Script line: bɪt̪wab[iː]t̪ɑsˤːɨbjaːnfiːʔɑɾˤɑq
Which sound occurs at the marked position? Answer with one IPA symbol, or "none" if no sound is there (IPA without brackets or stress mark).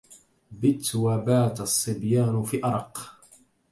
aː